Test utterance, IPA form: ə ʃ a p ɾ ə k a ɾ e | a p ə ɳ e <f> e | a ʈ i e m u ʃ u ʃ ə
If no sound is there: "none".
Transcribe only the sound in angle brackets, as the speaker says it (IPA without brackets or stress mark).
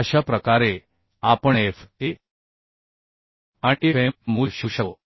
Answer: f